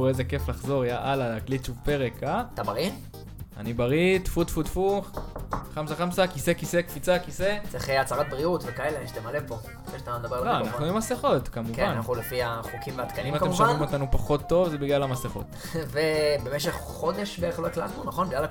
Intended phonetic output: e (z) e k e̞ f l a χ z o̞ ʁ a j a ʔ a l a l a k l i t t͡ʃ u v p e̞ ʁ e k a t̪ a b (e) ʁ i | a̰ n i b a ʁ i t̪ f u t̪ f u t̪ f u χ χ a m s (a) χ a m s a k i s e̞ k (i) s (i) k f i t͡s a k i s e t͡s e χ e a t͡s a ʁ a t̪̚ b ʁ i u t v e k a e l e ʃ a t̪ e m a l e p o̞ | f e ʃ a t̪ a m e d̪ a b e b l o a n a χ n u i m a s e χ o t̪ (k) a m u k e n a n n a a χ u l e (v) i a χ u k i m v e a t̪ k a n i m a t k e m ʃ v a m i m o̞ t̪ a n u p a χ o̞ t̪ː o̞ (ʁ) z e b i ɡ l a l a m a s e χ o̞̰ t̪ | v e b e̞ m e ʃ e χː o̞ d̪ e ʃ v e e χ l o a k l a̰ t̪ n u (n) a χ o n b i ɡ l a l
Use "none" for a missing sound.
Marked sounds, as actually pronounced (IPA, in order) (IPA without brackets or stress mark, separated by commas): z, a, a, i, e, k, f, v, n